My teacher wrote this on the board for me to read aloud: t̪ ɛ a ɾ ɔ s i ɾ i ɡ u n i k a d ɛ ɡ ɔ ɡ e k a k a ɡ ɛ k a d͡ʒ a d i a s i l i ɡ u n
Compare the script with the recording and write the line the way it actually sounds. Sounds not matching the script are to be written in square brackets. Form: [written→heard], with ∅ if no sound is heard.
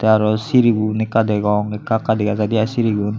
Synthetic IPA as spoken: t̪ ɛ a ɾ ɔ s i ɾ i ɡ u n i k a d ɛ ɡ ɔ [ɡ→ŋ] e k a k a [ɡ→d] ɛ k a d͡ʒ a d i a s i [l→ɾ] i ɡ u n